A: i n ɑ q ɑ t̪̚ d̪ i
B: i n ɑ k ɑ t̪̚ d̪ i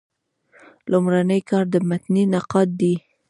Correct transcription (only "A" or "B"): A